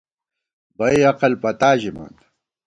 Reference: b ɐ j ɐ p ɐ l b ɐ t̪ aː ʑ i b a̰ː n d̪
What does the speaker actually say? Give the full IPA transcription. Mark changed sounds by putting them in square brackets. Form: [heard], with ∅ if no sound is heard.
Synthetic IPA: b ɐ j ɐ [q] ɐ l [p] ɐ t̪ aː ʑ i [m] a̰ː n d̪